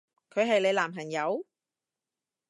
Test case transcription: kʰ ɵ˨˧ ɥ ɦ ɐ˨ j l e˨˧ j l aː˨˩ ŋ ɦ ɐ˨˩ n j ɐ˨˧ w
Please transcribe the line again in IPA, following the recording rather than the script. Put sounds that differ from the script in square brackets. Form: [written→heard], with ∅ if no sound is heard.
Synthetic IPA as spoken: kʰ ɵ˨˧ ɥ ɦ ɐ˨ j l e˨˧ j l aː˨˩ [ŋ→m] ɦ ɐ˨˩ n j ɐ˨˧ w